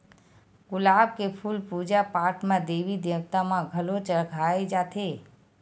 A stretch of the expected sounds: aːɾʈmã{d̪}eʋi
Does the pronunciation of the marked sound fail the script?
no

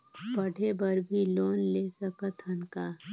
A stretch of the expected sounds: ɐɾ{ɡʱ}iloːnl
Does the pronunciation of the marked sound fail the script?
yes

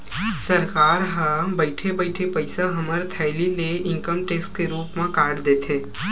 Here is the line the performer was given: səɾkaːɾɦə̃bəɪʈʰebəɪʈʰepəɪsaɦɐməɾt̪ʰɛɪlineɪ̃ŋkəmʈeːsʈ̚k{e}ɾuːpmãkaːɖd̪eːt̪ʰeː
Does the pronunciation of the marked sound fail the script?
no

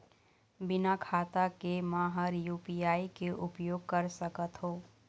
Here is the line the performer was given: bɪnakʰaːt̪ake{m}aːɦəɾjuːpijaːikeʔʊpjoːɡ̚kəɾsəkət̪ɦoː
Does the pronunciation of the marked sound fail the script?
no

